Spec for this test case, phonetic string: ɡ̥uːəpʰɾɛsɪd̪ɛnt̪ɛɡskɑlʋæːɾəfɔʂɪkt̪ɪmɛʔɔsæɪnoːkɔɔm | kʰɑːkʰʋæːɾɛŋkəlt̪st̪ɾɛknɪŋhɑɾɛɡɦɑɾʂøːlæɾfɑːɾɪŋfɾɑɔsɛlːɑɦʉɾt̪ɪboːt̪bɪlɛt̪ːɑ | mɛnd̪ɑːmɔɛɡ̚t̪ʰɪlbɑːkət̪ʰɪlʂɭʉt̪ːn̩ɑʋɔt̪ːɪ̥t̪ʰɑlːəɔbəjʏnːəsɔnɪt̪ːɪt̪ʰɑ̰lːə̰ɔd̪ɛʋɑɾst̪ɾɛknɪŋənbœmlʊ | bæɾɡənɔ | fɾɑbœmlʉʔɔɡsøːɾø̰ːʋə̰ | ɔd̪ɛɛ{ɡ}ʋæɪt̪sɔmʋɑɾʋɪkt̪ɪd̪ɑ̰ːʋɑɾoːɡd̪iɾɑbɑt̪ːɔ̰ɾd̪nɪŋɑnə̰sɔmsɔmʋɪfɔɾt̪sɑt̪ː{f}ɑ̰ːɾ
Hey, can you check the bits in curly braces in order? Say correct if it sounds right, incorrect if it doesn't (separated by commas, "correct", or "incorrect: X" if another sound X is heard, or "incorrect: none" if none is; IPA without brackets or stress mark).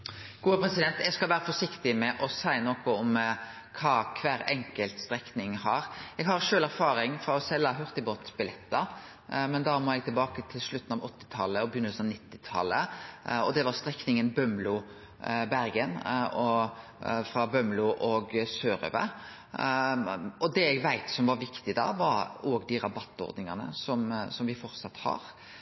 correct, incorrect: h